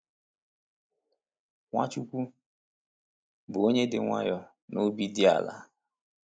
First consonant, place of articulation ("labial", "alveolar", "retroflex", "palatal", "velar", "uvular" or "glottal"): velar